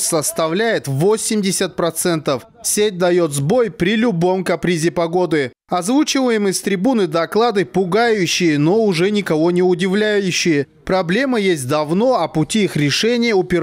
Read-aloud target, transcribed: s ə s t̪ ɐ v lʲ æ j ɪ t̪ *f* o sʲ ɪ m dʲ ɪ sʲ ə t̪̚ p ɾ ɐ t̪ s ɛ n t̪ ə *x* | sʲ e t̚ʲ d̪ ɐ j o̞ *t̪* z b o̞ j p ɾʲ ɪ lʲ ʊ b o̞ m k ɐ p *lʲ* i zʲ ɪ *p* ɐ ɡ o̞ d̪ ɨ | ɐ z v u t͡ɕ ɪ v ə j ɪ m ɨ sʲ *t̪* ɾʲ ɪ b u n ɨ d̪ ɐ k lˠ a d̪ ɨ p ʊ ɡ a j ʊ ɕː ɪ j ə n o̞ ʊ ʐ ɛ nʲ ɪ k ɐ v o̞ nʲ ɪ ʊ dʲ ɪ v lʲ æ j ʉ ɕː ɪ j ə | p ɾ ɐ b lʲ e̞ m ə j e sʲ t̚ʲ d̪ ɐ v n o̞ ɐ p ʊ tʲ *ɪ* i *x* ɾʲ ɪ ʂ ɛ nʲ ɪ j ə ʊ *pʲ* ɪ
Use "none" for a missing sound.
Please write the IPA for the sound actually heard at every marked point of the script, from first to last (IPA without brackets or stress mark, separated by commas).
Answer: v, f, t̪, ɾʲ, p, t̪, i, x, pʲ